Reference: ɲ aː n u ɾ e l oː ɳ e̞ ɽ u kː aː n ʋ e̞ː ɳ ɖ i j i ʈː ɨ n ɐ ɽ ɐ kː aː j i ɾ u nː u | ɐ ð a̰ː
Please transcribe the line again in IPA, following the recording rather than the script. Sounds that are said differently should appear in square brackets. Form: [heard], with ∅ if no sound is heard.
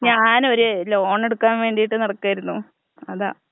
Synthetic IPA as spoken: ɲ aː n [o] ɾ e l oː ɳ e̞ ɽ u kː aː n ʋ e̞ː ɳ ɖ i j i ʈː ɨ n ɐ ɽ ɐ kː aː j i ɾ u nː u | ɐ ð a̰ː